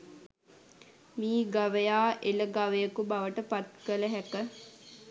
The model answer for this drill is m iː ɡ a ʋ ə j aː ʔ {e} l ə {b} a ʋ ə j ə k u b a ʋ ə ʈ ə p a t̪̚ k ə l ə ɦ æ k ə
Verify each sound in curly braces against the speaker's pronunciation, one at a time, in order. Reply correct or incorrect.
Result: correct, incorrect: ɡ

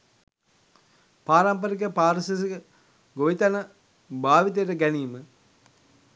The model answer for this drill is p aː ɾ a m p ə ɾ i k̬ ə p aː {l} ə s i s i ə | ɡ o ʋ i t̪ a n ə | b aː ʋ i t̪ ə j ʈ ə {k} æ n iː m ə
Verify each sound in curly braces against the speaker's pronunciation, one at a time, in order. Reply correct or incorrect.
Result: incorrect: ɾ, incorrect: ɡ

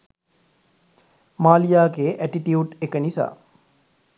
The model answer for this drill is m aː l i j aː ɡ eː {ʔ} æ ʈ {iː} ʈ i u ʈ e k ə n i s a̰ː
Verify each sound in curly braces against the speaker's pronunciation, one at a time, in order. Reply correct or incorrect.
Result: correct, incorrect: i

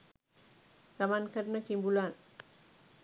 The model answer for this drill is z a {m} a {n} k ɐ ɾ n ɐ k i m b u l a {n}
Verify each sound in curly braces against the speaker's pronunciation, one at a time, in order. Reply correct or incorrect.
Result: correct, correct, correct

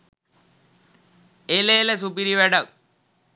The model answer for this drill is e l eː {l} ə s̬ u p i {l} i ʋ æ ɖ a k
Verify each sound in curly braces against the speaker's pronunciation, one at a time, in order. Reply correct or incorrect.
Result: correct, incorrect: ɾ

